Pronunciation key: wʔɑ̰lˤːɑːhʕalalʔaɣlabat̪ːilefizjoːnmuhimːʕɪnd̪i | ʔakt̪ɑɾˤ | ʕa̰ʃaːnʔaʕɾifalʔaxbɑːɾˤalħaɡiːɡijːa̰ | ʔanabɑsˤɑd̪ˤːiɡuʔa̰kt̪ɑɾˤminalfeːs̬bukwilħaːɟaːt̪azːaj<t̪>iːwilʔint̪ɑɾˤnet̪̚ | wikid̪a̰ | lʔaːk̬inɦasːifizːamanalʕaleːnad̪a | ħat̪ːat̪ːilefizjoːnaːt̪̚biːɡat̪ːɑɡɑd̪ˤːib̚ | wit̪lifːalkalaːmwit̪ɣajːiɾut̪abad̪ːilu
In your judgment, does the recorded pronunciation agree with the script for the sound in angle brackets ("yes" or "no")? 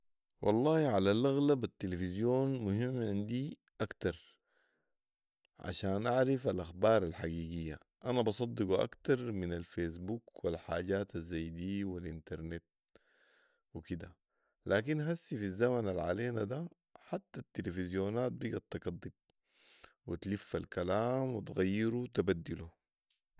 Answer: no